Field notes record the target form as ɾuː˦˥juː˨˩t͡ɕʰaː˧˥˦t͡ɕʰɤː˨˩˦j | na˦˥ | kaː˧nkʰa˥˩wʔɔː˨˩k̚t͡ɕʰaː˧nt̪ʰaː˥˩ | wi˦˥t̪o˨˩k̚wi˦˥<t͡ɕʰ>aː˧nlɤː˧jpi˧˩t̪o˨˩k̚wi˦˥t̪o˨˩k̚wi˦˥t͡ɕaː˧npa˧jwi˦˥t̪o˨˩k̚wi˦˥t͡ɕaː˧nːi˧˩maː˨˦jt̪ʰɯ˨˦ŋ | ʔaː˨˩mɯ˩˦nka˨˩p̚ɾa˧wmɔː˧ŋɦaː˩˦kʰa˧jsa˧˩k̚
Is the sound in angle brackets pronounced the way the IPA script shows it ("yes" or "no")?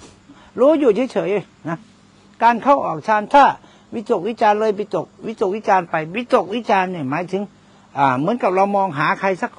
no